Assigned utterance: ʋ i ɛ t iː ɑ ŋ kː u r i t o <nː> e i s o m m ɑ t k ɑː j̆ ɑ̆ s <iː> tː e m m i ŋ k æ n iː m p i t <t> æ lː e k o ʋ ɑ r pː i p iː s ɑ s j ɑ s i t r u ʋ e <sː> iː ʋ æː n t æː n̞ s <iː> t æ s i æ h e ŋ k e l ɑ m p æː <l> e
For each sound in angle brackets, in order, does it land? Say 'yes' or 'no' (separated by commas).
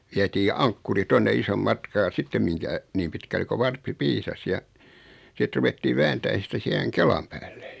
yes, no, no, no, no, no